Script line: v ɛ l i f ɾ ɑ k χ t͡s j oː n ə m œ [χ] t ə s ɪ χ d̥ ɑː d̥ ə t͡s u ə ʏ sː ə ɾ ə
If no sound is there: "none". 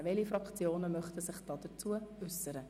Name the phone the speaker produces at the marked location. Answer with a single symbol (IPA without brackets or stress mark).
χ